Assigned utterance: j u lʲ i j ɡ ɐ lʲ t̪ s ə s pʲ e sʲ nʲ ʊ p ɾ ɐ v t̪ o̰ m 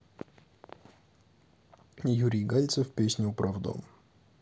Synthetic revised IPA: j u ɾʲ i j ɡ a lʲ t̪ s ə f pʲ e sʲ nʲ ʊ p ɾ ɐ v d̪ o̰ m